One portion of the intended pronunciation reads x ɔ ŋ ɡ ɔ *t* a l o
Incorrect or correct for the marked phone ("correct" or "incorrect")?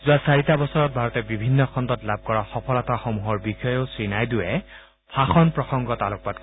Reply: correct